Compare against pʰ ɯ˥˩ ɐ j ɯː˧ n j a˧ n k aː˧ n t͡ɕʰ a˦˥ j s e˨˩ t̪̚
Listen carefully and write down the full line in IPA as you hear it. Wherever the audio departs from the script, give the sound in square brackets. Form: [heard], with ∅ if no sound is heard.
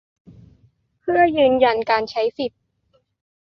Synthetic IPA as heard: pʰ ɯ˥˩ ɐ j ɯː˧ n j a˧ n k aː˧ n t͡ɕʰ a˦˥ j s [i˨˩] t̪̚